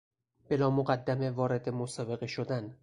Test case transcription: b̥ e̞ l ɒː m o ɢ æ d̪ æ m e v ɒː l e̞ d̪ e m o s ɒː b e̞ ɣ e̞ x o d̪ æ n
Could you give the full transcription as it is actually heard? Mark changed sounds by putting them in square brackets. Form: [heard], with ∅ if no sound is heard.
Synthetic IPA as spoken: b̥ e̞ l ɒː m o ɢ æ [d̪ː] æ m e v ɒː [ɾ] e̞ d̪ e m o s ɒː b e̞ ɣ e̞ [ʃ] o d̪ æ n